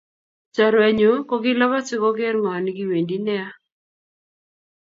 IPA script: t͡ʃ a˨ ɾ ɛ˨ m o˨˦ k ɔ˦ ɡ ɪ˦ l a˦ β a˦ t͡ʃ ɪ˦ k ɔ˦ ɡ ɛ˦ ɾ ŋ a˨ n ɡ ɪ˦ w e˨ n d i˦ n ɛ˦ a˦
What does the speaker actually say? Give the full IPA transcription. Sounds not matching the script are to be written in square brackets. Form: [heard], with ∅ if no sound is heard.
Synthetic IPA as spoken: t͡ʃ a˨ ɾ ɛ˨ [ɲ] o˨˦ k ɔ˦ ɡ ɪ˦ l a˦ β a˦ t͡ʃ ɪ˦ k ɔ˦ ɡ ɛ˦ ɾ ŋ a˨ n ɡ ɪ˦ w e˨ n d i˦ n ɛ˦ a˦

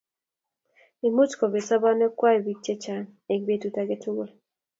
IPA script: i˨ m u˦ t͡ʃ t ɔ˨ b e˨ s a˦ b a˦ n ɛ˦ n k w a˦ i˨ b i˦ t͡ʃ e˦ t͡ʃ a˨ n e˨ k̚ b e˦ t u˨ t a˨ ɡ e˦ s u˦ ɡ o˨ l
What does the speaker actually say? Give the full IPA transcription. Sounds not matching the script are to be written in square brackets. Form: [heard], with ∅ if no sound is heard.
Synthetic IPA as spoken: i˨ m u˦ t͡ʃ [k] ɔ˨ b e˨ s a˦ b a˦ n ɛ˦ [∅] k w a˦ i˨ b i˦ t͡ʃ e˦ t͡ʃ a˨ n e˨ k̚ b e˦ t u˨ t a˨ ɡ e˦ [t] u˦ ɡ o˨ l

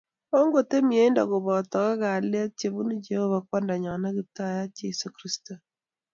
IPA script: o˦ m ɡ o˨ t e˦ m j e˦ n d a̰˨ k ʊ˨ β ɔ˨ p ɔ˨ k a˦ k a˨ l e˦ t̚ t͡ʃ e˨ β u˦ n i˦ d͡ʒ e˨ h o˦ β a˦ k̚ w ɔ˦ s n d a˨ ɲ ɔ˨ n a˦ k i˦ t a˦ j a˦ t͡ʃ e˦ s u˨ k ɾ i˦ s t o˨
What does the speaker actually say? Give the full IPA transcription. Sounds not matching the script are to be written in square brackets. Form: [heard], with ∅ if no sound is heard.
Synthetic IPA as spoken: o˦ [ŋ] ɡ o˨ t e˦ m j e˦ n d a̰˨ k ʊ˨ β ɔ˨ [t] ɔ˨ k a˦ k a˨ l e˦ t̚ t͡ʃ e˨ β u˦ n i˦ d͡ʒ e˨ h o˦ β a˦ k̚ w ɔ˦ [∅] n d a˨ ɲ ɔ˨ n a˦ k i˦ t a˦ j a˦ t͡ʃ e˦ s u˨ k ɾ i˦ s t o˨

